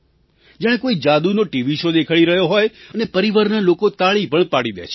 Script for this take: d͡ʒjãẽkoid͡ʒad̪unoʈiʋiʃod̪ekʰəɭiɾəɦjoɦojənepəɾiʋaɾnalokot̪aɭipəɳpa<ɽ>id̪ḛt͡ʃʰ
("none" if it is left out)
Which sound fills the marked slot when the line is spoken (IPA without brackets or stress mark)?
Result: ɽ